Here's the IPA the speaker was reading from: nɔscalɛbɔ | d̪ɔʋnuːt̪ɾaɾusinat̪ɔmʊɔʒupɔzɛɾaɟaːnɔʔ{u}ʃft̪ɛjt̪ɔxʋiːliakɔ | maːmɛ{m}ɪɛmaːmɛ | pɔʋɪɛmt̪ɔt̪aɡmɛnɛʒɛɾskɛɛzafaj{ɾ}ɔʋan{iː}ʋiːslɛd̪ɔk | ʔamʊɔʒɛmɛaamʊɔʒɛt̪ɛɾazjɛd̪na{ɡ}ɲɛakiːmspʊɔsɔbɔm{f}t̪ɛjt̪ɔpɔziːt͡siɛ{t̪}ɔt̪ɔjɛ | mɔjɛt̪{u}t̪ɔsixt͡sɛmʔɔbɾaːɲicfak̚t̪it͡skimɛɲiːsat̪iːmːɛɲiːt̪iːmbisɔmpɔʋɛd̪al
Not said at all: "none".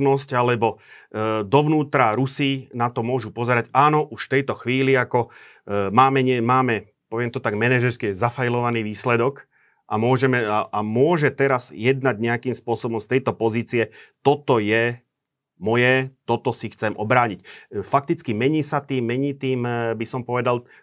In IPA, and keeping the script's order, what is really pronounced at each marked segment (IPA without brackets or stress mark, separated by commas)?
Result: u, ɲ, l, iː, ɟ, s, t̪, ɔ